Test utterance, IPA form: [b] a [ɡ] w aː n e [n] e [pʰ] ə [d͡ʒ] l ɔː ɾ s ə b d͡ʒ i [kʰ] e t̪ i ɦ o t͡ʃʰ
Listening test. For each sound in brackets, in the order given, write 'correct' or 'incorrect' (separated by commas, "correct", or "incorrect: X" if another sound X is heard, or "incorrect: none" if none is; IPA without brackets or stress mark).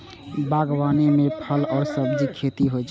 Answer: correct, correct, incorrect: m, correct, incorrect: none, correct